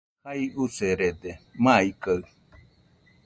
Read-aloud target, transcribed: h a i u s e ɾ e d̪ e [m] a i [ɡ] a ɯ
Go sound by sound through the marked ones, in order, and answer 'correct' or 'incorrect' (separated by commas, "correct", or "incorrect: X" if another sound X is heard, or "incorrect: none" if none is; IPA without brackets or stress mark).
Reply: correct, incorrect: k